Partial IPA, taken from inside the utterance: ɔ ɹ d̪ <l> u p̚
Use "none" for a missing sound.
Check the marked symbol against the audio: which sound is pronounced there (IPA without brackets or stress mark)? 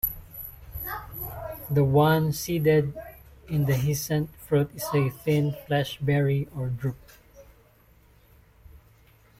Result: ɹ